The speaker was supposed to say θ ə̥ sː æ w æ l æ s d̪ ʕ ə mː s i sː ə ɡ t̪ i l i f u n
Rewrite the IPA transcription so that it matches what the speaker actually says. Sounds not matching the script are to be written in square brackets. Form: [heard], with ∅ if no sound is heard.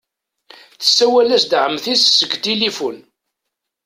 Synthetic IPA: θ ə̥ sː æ w æ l æ s d̪ ʕ ə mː [θ] i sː ə ɡ t̪ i l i f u n